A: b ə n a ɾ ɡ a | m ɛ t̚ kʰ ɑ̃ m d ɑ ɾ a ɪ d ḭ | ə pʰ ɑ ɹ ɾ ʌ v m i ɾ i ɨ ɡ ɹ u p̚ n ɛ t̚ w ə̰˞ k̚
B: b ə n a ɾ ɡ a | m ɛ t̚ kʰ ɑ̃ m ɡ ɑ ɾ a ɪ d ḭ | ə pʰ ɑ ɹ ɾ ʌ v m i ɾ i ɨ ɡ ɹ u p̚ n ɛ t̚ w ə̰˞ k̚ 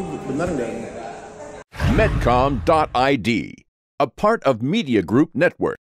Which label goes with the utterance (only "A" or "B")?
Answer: A